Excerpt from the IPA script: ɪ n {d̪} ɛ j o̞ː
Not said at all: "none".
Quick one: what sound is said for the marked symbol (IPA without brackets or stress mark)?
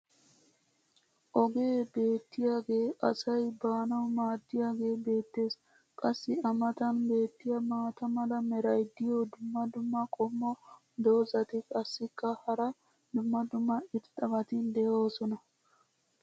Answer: d̪